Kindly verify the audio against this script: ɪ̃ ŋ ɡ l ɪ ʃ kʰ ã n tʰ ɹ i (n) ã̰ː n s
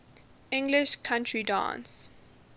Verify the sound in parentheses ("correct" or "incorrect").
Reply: incorrect